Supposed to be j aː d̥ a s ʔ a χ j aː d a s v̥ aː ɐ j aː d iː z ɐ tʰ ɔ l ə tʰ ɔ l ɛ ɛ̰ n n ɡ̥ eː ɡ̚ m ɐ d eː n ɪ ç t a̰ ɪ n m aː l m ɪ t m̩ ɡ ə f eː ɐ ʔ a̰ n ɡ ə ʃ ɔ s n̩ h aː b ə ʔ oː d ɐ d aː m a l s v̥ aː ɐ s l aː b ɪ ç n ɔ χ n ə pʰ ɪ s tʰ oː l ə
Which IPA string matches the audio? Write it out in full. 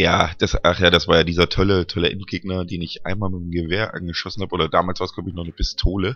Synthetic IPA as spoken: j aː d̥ a s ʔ a χ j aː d a s v̥ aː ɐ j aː d iː z ɐ tʰ ɔ l ə tʰ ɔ l ɛ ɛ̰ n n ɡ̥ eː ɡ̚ n ɐ d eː n ɪ ç ʔ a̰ ɪ n m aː l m ɪ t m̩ ɡ ə v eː ɐ ʔ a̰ n ɡ ə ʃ ɔ s n̩ h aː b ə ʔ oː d ɐ d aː m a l s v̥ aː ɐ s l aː b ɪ ç n ɔ χ n ə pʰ ɪ s tʰ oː l ə